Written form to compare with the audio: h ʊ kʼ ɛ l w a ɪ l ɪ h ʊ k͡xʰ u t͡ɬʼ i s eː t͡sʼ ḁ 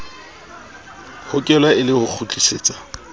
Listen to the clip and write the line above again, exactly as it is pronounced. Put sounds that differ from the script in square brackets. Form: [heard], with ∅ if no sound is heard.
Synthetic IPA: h ʊ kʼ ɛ l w a ɪ l ɪ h ʊ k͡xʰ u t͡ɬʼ i s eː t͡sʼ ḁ